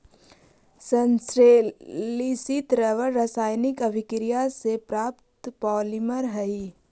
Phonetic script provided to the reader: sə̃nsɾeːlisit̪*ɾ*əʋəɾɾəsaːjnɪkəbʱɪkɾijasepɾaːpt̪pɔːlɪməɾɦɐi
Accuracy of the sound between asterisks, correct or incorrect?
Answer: correct